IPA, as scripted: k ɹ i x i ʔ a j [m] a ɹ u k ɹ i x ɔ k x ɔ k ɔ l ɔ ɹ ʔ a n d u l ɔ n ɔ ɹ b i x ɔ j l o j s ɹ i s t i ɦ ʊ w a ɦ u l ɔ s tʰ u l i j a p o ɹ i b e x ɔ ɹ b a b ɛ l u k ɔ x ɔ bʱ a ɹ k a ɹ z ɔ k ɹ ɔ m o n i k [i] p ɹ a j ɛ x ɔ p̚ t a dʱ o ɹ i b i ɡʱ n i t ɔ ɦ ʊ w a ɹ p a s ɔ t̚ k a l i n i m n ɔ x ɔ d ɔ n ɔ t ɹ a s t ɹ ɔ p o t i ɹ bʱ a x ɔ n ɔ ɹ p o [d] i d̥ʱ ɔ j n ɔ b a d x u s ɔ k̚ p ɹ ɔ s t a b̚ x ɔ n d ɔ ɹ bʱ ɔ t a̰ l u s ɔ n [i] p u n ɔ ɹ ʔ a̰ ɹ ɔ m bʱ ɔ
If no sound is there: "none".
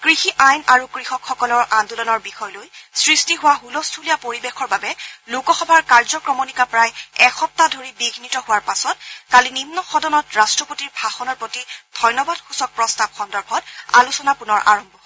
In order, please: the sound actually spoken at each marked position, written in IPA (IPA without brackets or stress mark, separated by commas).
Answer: n, a, t, a